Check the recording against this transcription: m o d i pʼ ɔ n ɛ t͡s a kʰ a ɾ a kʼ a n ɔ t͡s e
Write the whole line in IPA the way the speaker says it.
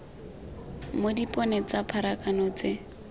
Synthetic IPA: m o d i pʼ ɔ n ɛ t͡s a pʰ a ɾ a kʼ a n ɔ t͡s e

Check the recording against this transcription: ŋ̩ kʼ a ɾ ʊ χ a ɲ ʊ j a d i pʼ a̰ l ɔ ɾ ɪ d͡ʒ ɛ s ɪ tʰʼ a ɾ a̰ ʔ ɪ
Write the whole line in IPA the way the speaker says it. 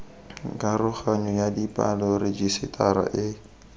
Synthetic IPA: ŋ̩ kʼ a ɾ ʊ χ a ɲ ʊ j a d i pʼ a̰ l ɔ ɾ ɪ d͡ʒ i s ɪ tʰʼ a ɾ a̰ ʔ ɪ

